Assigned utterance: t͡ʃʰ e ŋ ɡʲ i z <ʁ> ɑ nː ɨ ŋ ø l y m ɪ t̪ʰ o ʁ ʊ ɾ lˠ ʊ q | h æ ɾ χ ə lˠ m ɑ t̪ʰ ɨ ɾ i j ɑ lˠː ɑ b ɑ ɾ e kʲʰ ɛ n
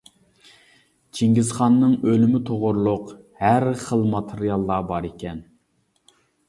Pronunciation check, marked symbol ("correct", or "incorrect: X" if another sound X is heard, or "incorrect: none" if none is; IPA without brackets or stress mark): incorrect: χ